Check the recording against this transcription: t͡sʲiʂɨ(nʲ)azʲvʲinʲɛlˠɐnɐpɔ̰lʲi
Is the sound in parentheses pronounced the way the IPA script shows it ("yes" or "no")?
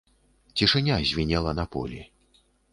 yes